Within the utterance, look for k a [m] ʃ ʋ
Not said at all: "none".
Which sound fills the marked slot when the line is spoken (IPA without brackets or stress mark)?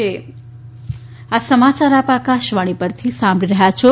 none